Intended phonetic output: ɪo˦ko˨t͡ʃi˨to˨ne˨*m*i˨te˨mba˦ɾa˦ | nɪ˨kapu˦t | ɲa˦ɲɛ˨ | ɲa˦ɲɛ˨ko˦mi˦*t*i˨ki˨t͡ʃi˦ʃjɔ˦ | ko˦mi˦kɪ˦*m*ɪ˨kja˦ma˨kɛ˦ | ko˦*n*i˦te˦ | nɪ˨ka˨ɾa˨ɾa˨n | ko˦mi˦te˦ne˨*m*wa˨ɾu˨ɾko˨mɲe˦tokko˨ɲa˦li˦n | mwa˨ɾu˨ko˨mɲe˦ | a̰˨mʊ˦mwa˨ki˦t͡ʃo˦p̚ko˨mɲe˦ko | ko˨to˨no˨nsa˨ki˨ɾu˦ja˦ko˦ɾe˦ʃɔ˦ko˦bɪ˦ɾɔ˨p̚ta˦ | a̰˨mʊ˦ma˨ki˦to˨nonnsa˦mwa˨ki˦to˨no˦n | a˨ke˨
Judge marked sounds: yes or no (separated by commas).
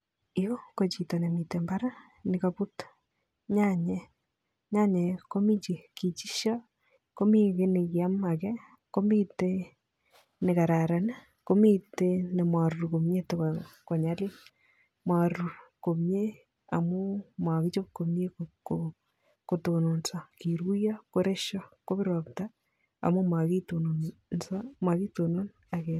yes, no, no, no, yes